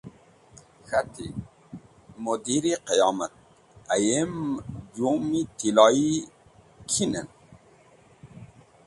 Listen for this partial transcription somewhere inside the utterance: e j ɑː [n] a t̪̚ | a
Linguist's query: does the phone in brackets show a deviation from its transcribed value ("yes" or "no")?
yes